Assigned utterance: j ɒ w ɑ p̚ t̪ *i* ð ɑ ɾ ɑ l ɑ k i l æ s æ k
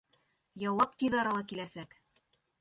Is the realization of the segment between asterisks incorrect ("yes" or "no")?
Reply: no